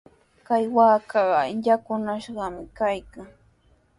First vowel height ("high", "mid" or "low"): low